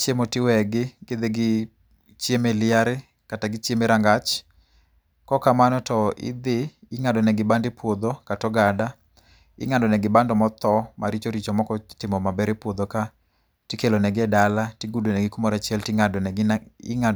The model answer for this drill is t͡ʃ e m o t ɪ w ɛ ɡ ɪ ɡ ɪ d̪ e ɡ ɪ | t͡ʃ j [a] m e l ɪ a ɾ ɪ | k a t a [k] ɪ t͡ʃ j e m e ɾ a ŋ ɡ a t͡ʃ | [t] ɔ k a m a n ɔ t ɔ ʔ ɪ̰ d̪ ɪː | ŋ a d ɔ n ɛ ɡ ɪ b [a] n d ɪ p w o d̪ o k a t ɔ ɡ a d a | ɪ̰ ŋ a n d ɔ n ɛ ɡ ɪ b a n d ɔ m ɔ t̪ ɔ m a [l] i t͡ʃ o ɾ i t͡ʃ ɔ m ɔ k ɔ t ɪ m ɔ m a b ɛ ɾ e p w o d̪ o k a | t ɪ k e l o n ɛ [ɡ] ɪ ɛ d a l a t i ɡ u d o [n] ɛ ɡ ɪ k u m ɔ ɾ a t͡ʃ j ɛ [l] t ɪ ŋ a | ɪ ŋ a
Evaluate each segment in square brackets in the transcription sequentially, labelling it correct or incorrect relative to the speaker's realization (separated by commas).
incorrect, incorrect, incorrect, correct, incorrect, correct, correct, correct